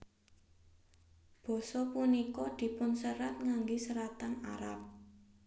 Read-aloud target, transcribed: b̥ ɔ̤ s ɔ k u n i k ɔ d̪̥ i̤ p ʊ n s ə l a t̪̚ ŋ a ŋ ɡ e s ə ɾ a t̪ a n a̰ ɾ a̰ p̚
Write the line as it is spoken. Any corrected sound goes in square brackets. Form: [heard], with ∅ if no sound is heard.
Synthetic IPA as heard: b̥ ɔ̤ s ɔ [p] u n i k ɔ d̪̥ i̤ p ʊ n s ə [ɾ] a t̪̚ ŋ a ŋ ɡ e s ə ɾ a t̪ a n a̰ ɾ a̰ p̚